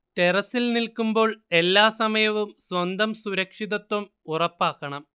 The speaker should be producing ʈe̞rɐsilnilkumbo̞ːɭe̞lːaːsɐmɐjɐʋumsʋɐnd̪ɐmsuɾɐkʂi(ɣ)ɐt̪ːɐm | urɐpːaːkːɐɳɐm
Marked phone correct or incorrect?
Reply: incorrect